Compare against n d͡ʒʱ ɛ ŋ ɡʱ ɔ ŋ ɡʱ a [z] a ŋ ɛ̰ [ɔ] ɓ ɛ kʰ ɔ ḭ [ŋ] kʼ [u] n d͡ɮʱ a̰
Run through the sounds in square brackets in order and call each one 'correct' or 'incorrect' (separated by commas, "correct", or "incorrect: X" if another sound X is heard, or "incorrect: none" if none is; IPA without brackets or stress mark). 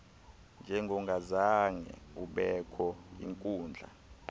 correct, incorrect: u, correct, incorrect: uː